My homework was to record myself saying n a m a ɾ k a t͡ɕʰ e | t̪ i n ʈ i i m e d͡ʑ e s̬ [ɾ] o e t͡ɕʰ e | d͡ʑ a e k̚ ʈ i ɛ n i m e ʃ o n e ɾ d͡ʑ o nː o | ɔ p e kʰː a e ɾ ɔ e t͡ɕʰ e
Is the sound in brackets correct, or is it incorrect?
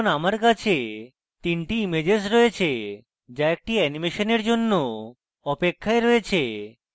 correct